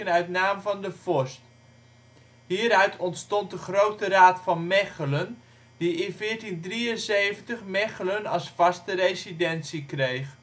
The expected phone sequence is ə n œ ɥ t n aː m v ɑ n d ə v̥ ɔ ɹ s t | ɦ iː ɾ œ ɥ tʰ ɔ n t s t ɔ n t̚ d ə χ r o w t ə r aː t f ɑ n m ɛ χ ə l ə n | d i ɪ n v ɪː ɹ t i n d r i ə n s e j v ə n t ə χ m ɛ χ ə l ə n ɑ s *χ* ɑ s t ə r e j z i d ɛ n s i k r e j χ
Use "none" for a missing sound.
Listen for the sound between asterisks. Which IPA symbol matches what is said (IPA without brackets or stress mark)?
f